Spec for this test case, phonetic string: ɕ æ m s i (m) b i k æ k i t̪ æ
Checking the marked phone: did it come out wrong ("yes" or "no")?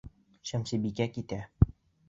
yes